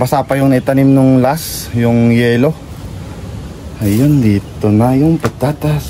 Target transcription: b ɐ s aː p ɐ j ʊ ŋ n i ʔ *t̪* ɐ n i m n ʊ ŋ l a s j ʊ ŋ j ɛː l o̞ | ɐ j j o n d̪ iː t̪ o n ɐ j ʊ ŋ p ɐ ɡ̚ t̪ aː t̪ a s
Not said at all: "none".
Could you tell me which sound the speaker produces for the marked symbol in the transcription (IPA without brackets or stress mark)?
t̪